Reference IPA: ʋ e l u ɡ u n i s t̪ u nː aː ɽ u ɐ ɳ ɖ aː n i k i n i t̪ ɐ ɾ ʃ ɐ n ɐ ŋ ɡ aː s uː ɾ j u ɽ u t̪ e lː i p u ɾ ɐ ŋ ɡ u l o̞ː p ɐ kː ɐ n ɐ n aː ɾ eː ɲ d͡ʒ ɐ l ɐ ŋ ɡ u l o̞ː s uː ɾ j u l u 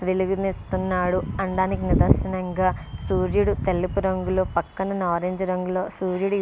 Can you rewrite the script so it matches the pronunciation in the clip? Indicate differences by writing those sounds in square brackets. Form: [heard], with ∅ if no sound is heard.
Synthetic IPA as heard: ʋ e l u ɡ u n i s t̪ u nː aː ɽ u ɐ ɳ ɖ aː n i k i n i [d̪] ɐ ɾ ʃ ɐ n ɐ ŋ ɡ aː s uː ɾ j u ɽ u t̪ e lː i p u ɾ ɐ ŋ ɡ u l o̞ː p ɐ kː ɐ n ɐ n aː ɾ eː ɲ d͡ʒ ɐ [ɾ] ɐ ŋ ɡ u l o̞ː s uː ɾ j u [ɽ] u